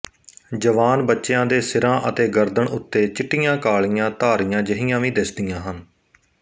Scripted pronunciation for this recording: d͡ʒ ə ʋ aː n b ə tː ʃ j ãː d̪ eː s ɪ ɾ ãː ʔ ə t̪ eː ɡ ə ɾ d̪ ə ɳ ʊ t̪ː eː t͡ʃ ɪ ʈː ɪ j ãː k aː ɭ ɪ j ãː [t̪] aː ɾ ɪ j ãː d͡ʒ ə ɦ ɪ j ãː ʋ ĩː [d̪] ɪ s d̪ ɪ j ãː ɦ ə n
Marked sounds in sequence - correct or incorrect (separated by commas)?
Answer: correct, correct